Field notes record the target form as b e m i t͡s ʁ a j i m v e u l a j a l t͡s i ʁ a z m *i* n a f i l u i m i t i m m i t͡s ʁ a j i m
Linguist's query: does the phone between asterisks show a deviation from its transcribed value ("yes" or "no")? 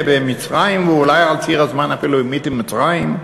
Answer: yes